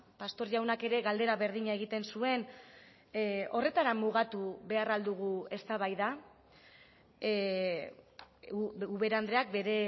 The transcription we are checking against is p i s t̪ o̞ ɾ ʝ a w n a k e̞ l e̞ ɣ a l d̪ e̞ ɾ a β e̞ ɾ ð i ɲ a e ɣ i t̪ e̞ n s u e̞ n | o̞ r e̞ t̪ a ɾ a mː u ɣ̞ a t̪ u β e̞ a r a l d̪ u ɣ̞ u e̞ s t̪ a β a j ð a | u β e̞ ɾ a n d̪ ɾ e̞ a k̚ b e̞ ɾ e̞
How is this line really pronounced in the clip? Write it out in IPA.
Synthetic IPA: p a s t̪ o̞ ɾ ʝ a w n a k e̞ ɾ e̞ ɣ a l d̪ e̞ ɾ a β e̞ ɾ ð i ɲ a e ɣ i t̪ e̞ n s u e̞ n | o̞ r e̞ t̪ a ɾ a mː u ɣ̞ a t̪ u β e̞ a r a l d̪ u ɣ̞ u e̞ s t̪ a β a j ð a | u β e̞ ɾ a n d̪ ɾ e̞ a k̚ b e̞ ɾ e̞